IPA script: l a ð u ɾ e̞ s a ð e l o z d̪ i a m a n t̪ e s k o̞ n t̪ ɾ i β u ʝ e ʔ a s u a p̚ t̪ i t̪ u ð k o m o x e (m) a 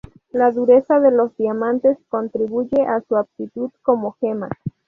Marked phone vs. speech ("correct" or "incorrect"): correct